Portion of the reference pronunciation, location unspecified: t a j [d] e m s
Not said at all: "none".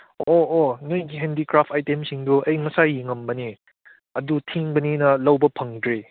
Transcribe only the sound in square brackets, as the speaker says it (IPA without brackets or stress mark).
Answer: t